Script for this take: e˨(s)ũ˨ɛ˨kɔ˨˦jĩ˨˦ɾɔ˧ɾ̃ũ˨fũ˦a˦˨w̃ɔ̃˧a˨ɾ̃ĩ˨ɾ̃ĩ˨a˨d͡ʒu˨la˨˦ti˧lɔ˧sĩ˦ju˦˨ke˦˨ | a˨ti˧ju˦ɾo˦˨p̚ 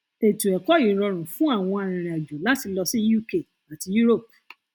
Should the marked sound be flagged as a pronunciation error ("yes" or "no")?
yes